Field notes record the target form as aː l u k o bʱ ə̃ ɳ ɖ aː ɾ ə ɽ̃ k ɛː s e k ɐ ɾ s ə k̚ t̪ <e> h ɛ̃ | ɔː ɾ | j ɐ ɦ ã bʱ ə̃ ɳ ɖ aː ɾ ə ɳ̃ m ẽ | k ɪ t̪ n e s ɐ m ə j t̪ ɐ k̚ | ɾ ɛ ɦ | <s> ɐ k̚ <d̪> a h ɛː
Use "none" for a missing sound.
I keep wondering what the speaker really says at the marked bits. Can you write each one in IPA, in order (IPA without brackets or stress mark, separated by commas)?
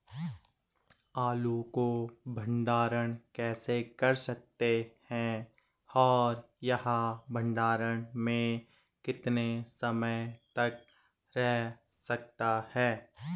e, s, t̪